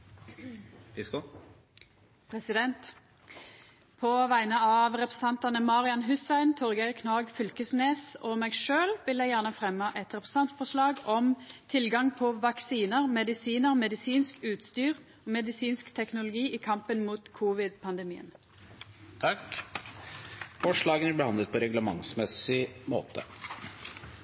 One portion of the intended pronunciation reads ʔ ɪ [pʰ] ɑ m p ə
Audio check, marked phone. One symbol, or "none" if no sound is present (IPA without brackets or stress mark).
kʰ